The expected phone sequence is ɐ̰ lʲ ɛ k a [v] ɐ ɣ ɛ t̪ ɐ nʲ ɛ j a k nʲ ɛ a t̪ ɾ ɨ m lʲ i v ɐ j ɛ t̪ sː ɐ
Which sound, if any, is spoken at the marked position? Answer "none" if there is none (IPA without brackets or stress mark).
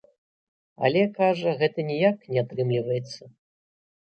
ʐ